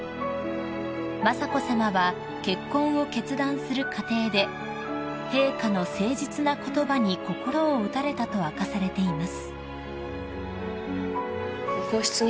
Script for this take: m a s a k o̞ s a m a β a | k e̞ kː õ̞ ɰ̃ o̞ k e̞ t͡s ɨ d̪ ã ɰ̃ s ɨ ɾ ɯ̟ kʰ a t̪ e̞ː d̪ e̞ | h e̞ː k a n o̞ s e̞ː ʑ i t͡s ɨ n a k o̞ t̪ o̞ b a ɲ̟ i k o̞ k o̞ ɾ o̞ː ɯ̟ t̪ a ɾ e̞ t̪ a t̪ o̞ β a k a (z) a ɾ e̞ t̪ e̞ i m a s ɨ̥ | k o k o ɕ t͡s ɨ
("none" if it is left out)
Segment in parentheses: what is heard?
s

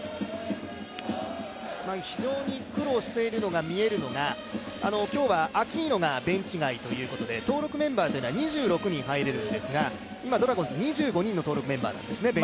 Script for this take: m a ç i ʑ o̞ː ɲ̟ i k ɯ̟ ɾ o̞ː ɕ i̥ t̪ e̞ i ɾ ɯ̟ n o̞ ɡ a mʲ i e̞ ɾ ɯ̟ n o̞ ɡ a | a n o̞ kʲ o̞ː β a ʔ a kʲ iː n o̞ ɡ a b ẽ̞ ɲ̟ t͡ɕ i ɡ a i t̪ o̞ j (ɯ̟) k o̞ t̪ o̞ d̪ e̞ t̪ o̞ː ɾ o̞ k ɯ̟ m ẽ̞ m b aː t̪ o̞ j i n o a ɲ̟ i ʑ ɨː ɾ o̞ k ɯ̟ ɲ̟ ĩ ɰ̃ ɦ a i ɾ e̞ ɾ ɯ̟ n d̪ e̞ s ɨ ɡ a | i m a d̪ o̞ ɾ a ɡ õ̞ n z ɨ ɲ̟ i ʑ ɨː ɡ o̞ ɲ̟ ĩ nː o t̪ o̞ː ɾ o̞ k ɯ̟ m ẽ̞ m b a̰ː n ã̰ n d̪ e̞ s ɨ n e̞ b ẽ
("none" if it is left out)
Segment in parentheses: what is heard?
ɯ̟ː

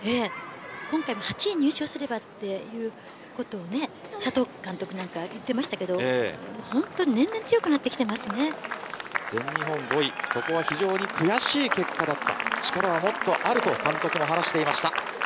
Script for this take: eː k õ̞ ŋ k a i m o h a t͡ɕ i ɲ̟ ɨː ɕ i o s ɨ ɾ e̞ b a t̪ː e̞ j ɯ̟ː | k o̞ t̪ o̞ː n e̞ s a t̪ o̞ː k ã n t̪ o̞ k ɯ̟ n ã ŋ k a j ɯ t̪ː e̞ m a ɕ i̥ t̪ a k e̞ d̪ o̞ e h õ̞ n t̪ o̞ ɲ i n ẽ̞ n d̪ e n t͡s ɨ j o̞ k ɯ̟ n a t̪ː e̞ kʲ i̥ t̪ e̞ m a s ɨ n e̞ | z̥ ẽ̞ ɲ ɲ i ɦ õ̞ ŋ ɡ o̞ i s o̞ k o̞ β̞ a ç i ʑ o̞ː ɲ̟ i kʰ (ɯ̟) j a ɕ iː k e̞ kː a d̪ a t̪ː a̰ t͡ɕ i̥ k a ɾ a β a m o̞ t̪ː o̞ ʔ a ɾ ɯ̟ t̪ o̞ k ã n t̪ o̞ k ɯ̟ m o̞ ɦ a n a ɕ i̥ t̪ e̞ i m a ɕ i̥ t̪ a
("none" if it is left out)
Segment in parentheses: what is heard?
ɯ̟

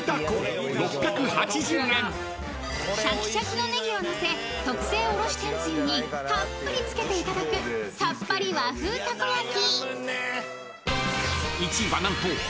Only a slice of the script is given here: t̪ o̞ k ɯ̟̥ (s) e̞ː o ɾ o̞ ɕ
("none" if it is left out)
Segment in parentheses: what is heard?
s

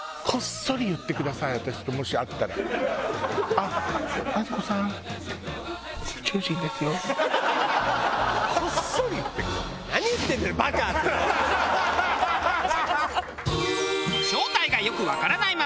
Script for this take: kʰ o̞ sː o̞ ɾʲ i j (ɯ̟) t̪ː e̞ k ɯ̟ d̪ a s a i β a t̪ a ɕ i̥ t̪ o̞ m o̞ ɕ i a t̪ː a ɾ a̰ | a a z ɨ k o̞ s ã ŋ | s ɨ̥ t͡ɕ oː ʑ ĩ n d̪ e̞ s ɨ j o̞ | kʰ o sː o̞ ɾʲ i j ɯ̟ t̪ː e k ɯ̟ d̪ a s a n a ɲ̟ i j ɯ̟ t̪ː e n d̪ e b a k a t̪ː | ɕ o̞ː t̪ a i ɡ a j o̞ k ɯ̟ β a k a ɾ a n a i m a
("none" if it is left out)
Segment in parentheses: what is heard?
ɯ̟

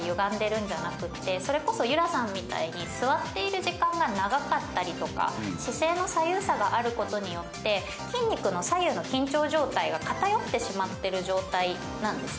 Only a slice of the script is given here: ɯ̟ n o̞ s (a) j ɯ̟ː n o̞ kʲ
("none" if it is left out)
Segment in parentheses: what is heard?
a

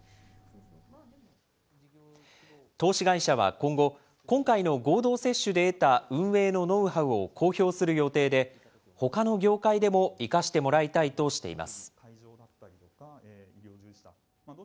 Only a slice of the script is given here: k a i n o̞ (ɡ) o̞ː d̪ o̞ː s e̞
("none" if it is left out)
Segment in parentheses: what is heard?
ɡ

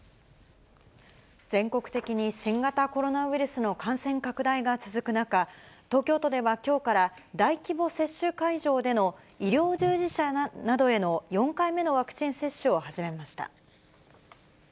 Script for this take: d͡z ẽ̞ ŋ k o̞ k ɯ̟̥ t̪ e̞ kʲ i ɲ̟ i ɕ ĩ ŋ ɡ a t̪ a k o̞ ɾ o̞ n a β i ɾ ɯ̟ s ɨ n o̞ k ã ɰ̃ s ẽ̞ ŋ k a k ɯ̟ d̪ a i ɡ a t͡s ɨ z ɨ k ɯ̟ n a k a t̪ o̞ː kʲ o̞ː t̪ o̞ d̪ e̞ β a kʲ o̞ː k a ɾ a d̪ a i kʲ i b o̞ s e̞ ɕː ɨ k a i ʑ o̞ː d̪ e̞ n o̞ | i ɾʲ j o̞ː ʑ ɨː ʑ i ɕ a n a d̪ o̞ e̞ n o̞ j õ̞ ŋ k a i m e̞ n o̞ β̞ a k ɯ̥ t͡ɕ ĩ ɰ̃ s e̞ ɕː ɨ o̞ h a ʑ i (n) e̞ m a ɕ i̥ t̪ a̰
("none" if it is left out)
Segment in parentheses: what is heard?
m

